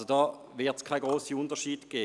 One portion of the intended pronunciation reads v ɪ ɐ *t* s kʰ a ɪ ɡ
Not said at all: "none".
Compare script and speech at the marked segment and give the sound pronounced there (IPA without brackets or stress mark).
t